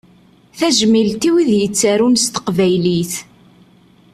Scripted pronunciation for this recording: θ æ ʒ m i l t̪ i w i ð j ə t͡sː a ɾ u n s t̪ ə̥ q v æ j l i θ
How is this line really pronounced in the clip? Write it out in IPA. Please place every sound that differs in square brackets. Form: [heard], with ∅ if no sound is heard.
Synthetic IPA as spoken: θ æ ʒ m i l t̪ i w i ð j ə t͡sː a ɾ u n s t̪ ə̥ q v æ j l i θ